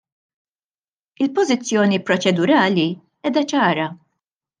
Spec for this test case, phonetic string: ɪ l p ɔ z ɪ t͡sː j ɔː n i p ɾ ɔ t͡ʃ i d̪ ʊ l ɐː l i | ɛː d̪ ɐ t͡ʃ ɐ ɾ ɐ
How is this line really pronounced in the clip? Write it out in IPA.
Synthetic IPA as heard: ɪ l p ɔ z ɪ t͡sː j ɔː n i p ɾ ɔ t͡ʃ ɛ d̪ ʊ ɾ ɐː l i | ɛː d̪ ɐ t͡ʃ ɐː ɾ ɐ